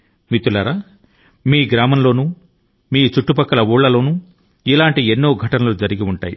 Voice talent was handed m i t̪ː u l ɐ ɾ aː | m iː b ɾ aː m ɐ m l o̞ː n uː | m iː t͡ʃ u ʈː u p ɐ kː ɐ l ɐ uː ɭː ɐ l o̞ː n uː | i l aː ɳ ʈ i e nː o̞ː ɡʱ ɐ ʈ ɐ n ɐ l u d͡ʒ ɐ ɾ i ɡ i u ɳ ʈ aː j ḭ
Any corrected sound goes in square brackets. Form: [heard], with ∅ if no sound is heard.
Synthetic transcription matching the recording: m i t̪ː u l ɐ ɾ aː | m iː [ɡ] ɾ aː m ɐ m l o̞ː n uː | m iː t͡ʃ u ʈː u p ɐ kː ɐ l ɐ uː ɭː ɐ l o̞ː n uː | i l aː ɳ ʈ i e nː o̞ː ɡʱ ɐ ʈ ɐ n ɐ l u d͡ʒ ɐ ɾ i ɡ i u ɳ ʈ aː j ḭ

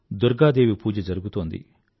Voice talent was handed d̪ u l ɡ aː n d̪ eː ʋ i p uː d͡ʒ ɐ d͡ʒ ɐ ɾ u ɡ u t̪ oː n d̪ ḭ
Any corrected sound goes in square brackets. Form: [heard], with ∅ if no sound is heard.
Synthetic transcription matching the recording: d̪ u [ɾ] ɡ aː [∅] d̪ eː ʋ i p uː d͡ʒ ɐ d͡ʒ ɐ ɾ u ɡ u t̪ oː n d̪ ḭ

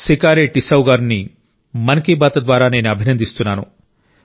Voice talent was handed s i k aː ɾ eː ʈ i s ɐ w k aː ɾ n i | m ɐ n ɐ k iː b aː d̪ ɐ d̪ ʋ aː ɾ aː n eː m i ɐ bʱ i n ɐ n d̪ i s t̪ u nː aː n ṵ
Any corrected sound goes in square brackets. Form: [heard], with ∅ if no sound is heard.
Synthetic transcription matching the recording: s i k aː ɾ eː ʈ i s ɐ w [ɡ] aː ɾ n i | m ɐ n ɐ k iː b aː [t̪] ɐ d̪ ʋ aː ɾ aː n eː [n] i ɐ bʱ i n ɐ n d̪ i s t̪ u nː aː n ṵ

